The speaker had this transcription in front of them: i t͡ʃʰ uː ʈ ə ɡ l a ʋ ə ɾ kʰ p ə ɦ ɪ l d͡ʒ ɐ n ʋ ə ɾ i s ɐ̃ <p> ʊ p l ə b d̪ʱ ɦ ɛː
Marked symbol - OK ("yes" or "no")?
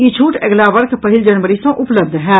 no